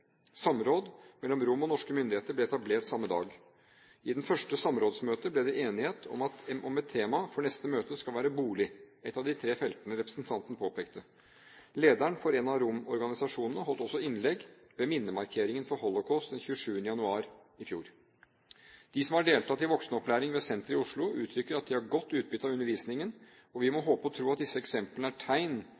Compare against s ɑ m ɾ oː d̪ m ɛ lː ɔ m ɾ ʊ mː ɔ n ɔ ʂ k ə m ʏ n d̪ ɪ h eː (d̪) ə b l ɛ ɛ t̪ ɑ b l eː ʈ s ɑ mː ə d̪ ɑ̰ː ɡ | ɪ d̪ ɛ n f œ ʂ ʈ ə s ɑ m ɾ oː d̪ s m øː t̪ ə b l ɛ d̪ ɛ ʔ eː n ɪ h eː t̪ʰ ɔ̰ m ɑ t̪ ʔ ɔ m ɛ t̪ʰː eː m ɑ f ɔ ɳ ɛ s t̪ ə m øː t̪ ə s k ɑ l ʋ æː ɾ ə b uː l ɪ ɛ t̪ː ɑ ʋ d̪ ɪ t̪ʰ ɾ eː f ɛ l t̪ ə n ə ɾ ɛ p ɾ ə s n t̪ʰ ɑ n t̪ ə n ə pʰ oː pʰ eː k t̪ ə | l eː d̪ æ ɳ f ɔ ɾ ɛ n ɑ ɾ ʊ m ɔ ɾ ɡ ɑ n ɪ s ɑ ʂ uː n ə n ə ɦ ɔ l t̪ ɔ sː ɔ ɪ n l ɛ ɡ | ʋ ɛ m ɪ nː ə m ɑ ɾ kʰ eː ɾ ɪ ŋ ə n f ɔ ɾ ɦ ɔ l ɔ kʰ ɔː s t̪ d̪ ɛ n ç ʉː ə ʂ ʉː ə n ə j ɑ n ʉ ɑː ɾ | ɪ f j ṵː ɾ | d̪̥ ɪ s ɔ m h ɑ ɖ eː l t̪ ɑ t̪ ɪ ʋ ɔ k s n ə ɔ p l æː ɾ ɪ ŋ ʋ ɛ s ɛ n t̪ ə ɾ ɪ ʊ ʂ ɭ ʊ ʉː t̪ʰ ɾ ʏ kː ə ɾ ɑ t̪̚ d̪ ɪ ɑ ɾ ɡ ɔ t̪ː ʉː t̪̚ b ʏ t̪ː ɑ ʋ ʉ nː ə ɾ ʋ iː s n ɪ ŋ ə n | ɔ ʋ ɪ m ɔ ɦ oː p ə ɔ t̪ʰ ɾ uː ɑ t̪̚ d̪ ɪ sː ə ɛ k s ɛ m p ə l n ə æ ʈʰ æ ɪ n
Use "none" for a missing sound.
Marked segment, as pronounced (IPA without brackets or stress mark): t̪